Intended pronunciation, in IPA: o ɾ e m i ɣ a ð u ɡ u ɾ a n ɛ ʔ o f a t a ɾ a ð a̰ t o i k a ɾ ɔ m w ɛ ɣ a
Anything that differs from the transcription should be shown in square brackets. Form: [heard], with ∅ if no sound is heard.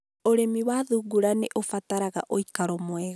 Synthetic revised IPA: o ɾ e m i [w] a ð u ɡ u ɾ a n [e] ʔ o f a t a ɾ a [ɣ] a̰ [ʔ] o i k a ɾ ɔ m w ɛ ɣ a